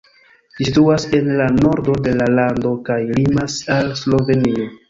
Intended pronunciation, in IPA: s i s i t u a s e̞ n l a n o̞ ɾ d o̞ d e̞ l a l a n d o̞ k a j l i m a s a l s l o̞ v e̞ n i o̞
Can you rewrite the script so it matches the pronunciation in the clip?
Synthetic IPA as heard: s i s i t u a s e̞ n l a n o̞ ɾ d o̞ d e̞ l a l a n d o̞ k a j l i m a s a l s l o̞ v e̞ n i o̞